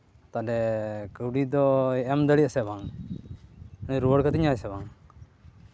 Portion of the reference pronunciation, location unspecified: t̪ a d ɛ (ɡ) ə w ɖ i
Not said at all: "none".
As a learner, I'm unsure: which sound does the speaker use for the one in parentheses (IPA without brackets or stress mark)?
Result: k